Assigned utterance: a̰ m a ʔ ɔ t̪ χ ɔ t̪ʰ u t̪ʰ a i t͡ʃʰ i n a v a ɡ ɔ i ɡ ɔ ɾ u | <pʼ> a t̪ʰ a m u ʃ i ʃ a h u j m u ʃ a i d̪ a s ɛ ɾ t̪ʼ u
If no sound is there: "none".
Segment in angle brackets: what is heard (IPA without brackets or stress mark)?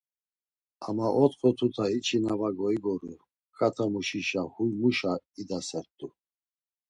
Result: kʼ